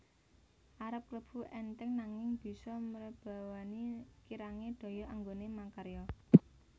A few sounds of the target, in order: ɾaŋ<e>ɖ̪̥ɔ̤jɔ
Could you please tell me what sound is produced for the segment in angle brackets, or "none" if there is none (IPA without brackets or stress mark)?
e